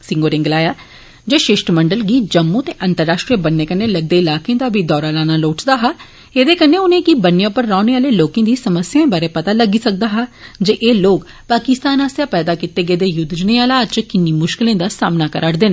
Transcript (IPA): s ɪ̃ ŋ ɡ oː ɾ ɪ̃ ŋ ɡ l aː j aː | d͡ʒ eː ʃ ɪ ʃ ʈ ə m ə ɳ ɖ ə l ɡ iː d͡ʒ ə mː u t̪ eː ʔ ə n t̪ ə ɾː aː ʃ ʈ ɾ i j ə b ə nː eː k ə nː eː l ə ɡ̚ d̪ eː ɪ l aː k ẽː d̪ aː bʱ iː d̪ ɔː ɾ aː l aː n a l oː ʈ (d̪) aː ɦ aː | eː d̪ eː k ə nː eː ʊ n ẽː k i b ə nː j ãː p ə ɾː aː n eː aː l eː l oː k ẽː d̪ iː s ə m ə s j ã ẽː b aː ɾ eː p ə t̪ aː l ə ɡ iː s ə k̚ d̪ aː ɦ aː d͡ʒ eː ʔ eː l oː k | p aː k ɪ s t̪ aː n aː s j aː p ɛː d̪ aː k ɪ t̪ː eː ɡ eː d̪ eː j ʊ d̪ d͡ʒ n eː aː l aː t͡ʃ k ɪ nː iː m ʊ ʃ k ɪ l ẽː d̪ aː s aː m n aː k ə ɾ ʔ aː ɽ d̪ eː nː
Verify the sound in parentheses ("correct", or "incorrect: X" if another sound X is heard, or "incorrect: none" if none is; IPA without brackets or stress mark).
correct